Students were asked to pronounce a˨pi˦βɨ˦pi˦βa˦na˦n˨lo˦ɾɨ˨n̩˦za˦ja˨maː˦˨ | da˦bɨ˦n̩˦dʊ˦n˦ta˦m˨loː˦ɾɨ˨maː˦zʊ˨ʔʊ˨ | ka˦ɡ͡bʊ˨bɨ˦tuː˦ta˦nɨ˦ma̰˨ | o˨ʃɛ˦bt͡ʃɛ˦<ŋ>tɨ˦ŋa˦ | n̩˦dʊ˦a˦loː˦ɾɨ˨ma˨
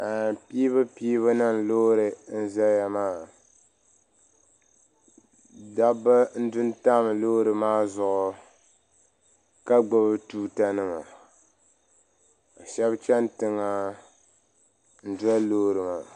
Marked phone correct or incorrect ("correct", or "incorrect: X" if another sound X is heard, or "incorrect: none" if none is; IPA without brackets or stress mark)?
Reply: incorrect: n